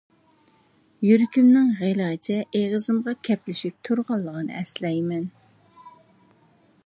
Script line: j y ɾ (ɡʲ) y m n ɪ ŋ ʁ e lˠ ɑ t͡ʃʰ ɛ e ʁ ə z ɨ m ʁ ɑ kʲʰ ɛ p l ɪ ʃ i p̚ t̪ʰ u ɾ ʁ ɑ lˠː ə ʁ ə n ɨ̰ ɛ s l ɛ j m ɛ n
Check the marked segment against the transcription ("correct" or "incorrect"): incorrect